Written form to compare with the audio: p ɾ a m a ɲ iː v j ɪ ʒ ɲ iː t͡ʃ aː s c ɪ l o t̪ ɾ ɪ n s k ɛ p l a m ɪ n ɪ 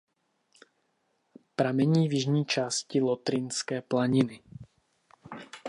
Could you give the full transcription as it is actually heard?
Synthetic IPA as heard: p ɾ a m ɛ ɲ iː v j ɪ ʒ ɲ iː t͡ʃ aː s c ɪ l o t̪ ɾ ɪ n s k ɛː p l a ɲ ɪ n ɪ